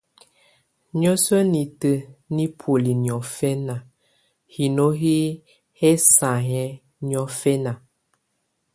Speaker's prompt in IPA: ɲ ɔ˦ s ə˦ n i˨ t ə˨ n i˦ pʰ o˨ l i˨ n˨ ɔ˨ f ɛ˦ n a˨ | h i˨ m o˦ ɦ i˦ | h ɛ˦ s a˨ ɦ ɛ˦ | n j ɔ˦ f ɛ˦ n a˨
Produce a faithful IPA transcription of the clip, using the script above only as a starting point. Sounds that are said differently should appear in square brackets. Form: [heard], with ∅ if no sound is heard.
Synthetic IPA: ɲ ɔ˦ s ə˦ n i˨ t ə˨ n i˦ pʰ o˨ l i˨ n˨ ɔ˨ f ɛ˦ n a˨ | h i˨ [n] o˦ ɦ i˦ | h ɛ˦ s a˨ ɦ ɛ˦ | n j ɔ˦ f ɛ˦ n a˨